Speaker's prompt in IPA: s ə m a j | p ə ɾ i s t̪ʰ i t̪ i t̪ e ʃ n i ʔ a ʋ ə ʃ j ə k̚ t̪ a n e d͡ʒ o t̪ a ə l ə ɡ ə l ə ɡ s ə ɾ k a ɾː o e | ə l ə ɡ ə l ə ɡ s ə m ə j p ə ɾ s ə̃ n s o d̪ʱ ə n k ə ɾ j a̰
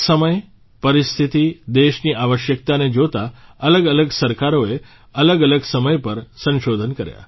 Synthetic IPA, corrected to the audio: s ə m ə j | p ə ɾ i s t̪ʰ i t̪ i d̪ e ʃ n i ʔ a ʋ ə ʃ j ə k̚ t̪ a n e d͡ʒ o t̪ a ə l ə ɡ ə l ə ɡ s ə ɾ k a ɾ o e | ə l ə ɡ ə l ə ɡ s ə m ə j p ə ɾ s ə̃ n ʃ o d̪ʱ ə n k ə ɾ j a̰